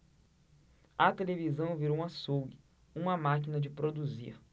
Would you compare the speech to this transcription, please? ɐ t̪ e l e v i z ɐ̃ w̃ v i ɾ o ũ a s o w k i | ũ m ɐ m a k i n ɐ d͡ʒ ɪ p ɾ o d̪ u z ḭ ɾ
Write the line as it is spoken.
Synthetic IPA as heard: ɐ t̪ e l e v i z ɐ̃ w̃ v i ɾ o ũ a s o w ɡ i | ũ m ɐ m a k i n ɐ d͡ʒ ɪ p ɾ o d̪ u z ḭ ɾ